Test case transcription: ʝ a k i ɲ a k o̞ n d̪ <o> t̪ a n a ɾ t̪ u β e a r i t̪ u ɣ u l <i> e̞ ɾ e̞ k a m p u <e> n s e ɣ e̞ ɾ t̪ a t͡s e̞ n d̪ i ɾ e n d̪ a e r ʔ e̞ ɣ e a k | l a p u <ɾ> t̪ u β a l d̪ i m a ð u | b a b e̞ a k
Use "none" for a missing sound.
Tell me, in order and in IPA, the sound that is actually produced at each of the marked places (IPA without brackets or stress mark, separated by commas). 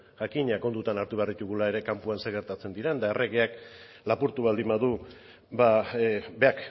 u, a, a, ɾ